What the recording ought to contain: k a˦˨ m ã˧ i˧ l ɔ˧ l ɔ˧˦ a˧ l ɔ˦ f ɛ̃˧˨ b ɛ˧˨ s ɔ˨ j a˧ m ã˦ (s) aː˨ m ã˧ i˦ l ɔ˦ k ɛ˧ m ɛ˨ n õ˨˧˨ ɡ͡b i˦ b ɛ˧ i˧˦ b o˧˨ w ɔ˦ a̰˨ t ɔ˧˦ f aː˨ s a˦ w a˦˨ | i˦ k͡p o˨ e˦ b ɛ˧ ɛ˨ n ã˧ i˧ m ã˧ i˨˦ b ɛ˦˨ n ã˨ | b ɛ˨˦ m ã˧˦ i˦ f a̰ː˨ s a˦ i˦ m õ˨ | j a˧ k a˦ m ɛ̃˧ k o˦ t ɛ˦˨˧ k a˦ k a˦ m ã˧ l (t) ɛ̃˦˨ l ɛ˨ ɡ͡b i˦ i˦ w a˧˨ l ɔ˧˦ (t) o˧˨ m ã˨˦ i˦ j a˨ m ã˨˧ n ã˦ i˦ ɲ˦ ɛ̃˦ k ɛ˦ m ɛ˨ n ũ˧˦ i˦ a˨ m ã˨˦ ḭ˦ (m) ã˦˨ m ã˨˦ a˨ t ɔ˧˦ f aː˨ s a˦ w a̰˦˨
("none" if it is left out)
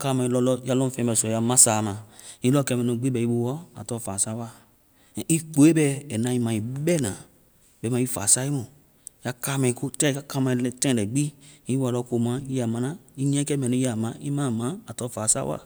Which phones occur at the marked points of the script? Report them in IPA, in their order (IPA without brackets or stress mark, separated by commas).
s, t, k, m